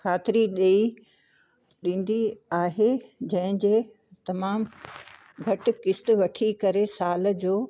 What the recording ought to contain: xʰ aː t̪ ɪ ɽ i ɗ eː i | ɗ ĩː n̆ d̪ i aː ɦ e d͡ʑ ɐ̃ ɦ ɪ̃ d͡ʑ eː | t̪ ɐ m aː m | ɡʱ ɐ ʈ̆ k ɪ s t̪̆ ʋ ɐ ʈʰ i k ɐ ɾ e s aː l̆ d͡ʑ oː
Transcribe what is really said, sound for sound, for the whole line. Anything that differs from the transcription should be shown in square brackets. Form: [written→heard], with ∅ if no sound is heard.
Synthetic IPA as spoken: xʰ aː t̪ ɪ [ɽ→ɾ] i ɗ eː i | ɗ ĩː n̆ d̪ i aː ɦ e d͡ʑ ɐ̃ ɦ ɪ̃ d͡ʑ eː | t̪ ɐ m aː m | ɡʱ ɐ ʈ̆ k ɪ s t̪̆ ʋ ɐ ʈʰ i k ɐ ɾ e s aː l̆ d͡ʑ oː